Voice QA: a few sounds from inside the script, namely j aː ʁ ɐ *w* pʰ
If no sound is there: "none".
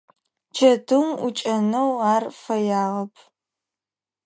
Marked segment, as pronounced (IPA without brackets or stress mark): none